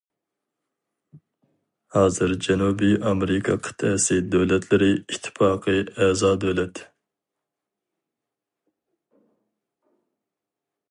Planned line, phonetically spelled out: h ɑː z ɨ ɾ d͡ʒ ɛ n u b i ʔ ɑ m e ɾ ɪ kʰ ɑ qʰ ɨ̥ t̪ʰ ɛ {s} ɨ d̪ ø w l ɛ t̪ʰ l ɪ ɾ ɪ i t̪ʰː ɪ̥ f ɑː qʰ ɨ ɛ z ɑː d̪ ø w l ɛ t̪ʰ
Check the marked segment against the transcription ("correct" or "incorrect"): correct